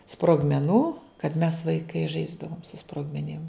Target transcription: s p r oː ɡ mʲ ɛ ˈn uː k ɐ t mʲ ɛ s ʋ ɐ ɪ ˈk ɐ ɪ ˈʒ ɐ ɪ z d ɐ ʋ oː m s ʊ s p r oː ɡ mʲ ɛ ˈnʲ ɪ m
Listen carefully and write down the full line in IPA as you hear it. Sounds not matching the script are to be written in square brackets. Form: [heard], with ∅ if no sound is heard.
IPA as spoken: s p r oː ɡ mʲ ɛ ˈn uː k ɐ t mʲ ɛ s ʋ ɐ ɪ ˈk ɐ ɪ ˈʒ ɐ ɪ z d ɐ ʋ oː m s ʊ s p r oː ɡ mʲ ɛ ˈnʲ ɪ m